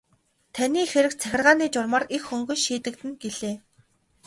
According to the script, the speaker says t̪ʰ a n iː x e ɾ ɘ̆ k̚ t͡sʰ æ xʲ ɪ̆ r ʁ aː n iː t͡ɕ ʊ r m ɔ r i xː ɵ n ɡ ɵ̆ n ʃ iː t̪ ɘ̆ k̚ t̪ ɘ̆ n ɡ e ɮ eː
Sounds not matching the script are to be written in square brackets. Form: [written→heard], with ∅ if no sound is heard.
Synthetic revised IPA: t̪ʰ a n iː x e ɾ ɘ̆ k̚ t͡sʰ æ xʲ ɪ̆ r ʁ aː n iː t͡ɕ ʊ r m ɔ r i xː ɵ [n→ŋ] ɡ ɵ̆ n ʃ iː t̪ ɘ̆ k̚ t̪ ɘ̆ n ɡ e ɮ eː